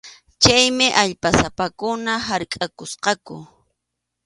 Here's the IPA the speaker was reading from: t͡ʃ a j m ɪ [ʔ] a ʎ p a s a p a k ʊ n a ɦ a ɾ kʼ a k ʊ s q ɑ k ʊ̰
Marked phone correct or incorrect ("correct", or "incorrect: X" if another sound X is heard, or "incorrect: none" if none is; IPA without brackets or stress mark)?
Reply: correct